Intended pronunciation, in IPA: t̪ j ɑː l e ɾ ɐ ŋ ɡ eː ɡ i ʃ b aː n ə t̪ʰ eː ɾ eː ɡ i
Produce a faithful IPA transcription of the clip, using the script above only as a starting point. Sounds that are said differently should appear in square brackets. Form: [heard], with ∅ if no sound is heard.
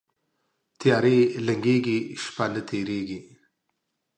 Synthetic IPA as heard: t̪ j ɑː [ɾ] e [l] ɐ ŋ ɡ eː ɡ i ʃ [p] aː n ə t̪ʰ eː ɾ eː ɡ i